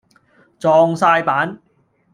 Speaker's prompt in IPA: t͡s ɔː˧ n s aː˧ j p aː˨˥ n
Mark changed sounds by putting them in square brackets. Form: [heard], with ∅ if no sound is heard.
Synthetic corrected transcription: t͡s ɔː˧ [ŋ] s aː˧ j p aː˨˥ n

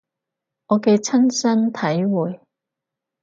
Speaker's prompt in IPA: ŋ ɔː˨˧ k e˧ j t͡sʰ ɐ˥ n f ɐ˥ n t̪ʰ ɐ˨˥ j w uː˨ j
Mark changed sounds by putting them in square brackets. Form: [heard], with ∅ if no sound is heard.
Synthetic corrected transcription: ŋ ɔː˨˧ k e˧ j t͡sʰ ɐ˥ n [s] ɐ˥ n t̪ʰ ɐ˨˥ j w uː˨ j

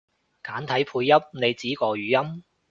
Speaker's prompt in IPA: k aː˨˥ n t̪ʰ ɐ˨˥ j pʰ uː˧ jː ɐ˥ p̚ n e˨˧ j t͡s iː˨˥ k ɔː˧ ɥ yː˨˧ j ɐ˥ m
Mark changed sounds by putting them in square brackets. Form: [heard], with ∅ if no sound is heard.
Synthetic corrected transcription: k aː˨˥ n t̪ʰ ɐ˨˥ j pʰ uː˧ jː ɐ˥ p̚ n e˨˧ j t͡s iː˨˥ k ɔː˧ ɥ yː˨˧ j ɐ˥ m

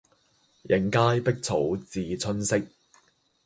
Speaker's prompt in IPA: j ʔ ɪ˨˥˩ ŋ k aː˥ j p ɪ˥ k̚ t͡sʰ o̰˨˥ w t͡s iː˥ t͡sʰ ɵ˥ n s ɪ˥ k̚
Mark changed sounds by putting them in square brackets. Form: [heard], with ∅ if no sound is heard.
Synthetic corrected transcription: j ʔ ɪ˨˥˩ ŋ k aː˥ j p ɪ˥ k̚ t͡sʰ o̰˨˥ w t͡s [iː˨] t͡sʰ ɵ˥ n s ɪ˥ k̚

